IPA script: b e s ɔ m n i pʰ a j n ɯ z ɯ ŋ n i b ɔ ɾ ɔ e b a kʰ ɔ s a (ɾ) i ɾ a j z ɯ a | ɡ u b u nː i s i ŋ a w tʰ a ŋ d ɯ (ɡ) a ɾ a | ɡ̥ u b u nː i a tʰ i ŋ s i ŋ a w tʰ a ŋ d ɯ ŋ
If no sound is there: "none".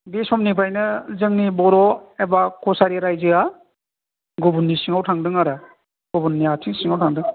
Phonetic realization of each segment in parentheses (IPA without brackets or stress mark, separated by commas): ɾ, ŋ